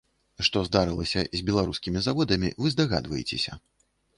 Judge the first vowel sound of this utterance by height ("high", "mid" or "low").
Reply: mid